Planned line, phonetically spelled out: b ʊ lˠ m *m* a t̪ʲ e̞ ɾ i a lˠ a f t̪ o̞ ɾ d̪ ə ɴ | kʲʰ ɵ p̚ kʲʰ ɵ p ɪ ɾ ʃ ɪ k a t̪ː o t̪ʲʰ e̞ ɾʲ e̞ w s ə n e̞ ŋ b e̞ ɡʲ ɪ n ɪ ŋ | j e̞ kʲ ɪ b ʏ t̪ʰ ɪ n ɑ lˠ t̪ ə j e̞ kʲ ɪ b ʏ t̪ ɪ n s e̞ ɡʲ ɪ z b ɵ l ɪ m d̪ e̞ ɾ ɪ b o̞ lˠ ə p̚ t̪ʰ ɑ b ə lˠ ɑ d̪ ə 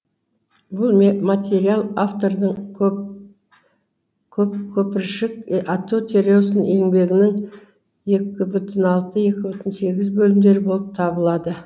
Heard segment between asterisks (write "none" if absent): m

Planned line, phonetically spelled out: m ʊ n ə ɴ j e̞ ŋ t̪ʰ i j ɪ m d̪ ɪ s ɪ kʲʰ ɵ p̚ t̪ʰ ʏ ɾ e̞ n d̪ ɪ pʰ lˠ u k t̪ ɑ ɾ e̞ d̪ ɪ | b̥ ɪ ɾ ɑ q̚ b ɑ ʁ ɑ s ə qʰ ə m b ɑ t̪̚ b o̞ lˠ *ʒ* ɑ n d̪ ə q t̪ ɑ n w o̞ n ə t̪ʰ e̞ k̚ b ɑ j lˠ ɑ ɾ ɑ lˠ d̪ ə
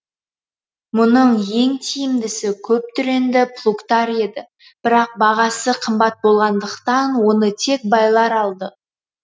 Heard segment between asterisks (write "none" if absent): ʁ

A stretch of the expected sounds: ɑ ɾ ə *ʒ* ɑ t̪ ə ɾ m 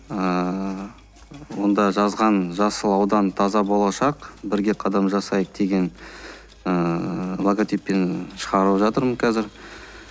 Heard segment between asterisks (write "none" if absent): ʒ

